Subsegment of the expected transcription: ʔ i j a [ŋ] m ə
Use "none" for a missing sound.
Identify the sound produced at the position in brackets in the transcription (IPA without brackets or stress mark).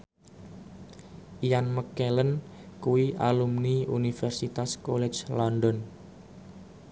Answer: n